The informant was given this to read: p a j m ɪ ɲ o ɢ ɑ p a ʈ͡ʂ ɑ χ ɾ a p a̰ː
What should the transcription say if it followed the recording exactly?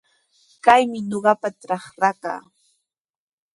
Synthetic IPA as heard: k a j m ɪ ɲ o ɢ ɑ p a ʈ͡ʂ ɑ χ ɾ a k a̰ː